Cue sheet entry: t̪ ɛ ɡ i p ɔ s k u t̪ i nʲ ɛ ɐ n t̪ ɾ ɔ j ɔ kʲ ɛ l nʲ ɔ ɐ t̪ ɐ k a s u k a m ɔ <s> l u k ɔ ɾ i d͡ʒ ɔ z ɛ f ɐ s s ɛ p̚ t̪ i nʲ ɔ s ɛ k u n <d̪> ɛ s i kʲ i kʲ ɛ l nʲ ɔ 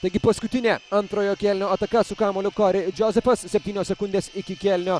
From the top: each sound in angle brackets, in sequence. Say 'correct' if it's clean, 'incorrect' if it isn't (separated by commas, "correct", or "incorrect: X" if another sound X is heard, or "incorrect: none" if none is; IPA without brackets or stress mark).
incorrect: none, correct